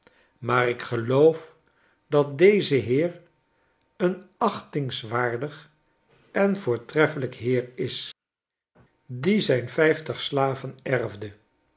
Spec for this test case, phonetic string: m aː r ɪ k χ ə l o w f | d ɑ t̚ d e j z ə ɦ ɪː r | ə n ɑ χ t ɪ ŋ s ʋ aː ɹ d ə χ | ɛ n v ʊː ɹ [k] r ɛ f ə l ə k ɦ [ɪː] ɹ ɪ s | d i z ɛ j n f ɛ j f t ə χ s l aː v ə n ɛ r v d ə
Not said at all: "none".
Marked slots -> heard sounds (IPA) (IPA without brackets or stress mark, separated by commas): t, ɪː